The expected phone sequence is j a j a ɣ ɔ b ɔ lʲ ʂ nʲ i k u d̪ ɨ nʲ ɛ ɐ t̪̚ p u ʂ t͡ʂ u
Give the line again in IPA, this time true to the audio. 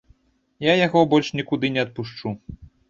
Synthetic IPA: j a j a ɣ ɔ b ɔ lʲ ʂ nʲ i k u d̪ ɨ nʲ ɛ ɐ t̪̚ p u ʂ t͡ʂ u